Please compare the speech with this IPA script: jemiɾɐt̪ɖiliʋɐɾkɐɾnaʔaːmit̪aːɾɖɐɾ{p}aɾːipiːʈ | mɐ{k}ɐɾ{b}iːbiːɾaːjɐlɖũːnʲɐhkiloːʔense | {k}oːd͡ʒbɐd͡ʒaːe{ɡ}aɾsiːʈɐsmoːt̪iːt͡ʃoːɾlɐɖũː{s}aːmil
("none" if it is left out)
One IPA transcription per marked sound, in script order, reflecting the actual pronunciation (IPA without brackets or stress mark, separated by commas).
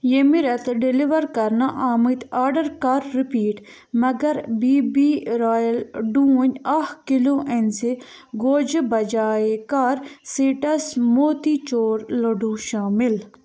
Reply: k, ɡ, b, ɡ, k, ʃ